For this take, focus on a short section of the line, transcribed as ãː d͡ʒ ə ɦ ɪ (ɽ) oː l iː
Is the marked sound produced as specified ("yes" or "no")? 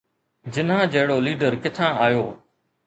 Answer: yes